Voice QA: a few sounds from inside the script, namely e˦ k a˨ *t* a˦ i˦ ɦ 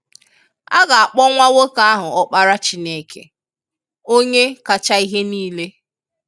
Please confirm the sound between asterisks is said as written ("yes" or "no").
no